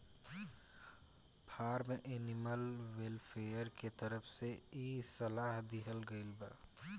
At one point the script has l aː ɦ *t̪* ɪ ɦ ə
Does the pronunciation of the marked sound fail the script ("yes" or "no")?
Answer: yes